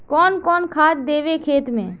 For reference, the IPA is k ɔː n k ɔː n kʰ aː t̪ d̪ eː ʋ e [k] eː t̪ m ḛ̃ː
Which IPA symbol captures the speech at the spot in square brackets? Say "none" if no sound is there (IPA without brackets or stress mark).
kʰ